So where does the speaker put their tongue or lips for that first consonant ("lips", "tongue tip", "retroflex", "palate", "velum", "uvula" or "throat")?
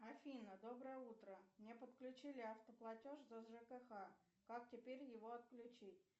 lips